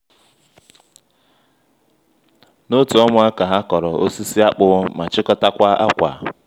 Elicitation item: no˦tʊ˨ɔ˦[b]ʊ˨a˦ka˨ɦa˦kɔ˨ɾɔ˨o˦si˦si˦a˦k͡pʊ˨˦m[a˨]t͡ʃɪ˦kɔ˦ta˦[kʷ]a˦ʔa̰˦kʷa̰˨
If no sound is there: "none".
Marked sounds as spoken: m, a˨, kʷ

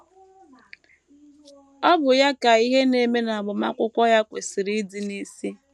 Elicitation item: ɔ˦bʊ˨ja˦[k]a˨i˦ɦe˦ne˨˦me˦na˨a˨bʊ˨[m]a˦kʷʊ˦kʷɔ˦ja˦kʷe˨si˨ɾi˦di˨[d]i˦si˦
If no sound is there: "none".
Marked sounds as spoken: k, m, n

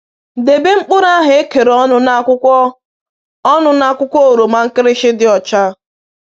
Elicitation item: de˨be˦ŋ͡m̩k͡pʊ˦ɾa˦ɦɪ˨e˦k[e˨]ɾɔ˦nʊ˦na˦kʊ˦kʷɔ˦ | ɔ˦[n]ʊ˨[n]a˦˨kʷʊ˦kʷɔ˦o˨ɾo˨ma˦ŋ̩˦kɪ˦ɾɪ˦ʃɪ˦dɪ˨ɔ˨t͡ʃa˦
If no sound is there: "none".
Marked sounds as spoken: e˨, n, n

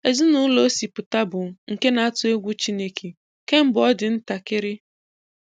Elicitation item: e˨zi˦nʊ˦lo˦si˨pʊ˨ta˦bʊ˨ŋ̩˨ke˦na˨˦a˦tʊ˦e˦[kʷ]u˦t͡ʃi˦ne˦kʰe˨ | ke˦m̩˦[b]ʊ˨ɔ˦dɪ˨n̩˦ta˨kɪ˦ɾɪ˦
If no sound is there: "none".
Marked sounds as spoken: ɡʷ, b

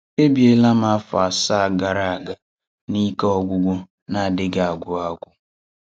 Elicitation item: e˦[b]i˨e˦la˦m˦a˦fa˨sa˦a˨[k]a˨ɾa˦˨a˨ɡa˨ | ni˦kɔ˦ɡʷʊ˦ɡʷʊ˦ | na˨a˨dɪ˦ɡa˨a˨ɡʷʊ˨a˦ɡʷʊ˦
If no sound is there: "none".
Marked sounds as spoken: b, ɡ

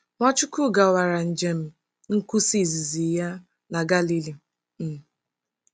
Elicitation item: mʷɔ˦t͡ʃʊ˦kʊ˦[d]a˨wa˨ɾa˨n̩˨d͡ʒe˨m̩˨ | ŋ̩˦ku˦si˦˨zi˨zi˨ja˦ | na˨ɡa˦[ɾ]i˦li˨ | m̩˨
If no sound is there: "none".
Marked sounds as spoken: ɡ, l

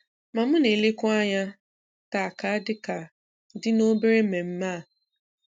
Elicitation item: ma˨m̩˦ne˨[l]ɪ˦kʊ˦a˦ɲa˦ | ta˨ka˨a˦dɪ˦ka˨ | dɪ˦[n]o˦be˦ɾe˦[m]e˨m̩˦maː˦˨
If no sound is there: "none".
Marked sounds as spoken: l, n, m

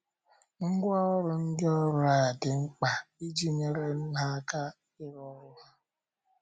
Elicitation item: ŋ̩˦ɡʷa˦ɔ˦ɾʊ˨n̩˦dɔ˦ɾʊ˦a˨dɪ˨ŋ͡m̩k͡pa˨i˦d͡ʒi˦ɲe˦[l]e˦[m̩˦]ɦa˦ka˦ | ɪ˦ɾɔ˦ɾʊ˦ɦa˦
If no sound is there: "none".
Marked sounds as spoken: ɾ, n̩˦

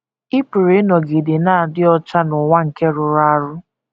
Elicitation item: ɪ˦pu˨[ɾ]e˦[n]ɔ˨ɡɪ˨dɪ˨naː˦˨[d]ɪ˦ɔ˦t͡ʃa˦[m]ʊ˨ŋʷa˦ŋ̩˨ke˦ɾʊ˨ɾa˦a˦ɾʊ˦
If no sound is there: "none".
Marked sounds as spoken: ɾ, n, d, n

